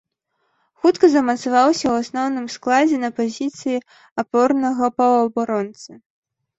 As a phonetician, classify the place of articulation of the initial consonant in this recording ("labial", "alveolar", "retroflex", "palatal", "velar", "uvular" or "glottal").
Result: velar